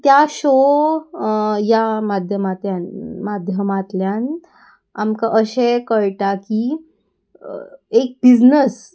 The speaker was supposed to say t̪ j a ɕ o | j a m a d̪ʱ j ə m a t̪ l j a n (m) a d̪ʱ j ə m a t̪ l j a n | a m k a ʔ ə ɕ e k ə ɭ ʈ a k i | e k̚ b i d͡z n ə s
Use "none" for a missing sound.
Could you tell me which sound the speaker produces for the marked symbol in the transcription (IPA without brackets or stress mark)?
m